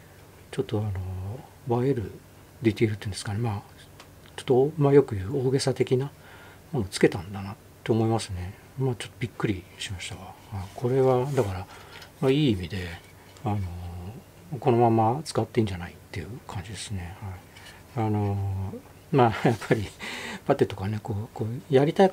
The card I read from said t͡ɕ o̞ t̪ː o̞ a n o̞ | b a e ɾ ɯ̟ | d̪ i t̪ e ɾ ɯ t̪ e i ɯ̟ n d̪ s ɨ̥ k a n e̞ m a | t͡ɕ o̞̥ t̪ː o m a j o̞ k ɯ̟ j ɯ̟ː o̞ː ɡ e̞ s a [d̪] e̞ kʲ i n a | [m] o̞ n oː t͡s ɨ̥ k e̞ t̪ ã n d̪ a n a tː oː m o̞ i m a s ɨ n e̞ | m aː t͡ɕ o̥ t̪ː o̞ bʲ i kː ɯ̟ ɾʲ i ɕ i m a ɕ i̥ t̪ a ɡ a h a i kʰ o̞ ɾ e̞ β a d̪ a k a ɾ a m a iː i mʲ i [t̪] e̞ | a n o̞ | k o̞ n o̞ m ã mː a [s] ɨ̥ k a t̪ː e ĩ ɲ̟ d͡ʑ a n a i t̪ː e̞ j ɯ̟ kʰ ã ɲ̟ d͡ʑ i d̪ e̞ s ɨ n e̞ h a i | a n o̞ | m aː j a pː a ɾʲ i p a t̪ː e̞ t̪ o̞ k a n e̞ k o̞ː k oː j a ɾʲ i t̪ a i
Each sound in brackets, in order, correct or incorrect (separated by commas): incorrect, correct, incorrect, incorrect